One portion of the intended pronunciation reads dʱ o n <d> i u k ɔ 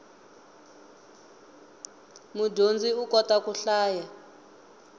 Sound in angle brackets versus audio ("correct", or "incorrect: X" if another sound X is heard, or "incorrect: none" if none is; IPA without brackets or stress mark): incorrect: d͡z